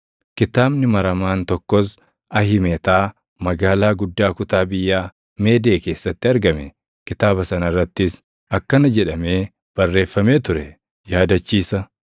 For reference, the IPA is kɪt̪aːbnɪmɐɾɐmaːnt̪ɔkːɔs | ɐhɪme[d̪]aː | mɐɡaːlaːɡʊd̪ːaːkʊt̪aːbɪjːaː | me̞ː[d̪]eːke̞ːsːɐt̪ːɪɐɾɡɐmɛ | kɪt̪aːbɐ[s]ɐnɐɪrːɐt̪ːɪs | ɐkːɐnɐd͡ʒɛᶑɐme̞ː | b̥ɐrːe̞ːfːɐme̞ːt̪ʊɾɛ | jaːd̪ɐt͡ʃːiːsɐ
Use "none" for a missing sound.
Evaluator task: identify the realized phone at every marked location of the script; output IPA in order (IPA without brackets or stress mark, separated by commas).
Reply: t̪, d̪, s